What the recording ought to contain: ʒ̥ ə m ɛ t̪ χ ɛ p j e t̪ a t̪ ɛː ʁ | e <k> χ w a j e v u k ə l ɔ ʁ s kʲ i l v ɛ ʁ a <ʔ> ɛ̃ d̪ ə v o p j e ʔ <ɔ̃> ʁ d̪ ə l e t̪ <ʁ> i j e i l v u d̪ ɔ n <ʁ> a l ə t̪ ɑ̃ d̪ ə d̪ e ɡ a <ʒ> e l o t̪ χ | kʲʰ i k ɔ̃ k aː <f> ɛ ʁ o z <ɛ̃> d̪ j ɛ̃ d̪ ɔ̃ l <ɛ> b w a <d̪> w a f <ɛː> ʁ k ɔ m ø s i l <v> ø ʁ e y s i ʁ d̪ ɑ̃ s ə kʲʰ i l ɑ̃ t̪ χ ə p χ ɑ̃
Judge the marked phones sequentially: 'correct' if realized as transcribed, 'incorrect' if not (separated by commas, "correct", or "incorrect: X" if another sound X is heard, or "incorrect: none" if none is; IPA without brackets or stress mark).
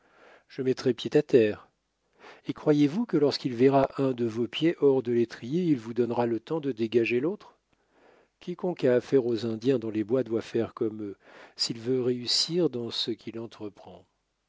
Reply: correct, correct, incorrect: ɔ, incorrect: χ, correct, correct, correct, correct, incorrect: e, correct, incorrect: ɛ, correct